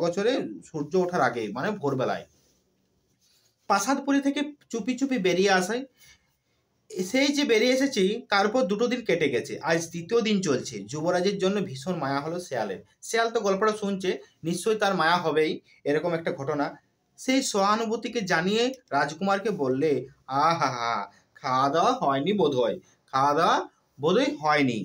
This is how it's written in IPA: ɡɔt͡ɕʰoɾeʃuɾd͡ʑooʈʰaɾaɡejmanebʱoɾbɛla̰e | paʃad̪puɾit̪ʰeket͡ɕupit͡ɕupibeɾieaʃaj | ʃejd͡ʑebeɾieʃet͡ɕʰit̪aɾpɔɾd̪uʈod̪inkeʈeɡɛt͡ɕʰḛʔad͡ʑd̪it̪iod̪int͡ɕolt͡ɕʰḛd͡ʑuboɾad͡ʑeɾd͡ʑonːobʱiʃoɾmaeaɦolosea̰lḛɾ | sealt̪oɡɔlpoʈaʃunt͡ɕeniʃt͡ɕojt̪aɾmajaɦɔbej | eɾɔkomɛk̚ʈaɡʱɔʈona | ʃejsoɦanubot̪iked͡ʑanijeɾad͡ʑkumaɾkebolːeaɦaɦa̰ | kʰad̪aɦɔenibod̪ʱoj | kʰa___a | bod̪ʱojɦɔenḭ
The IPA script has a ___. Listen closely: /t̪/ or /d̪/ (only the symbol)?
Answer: d̪